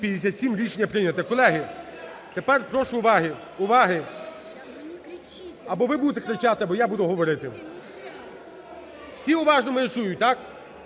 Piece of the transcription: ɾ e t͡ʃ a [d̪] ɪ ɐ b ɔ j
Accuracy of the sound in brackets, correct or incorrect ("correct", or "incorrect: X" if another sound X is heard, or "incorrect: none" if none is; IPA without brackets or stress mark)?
incorrect: t̪